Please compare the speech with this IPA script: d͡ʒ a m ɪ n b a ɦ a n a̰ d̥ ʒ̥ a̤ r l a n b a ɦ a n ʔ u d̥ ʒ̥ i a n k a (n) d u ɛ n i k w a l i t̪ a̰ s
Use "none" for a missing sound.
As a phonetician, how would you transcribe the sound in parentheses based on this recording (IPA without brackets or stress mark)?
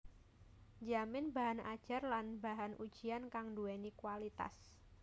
ŋ